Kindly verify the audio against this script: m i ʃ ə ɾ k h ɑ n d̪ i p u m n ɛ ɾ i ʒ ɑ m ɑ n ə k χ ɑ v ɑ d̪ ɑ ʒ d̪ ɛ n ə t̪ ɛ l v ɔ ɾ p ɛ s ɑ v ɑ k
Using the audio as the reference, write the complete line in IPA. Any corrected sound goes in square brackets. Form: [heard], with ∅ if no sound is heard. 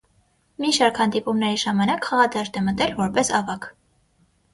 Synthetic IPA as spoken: m i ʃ [ɑ] ɾ k h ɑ n d̪ i p u m n ɛ ɾ i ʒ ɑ m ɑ n [ɑ] k χ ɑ [ʁ] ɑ d̪ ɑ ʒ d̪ ɛ [m] ə t̪ ɛ l v ɔ ɾ p ɛ s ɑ v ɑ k